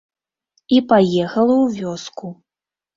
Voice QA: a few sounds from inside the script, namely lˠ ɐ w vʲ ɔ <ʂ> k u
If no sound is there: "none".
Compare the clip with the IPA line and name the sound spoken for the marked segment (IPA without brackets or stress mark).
s